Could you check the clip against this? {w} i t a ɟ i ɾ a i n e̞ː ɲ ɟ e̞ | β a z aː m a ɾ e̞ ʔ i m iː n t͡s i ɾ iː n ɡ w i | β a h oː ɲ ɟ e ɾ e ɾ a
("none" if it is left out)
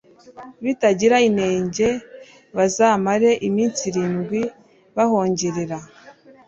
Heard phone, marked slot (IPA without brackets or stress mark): β